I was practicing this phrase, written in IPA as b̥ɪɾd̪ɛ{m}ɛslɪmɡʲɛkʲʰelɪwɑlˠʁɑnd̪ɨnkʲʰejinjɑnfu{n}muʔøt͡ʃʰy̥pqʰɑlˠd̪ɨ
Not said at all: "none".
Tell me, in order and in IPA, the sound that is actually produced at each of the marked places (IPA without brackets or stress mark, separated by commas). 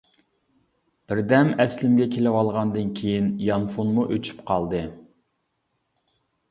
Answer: m, n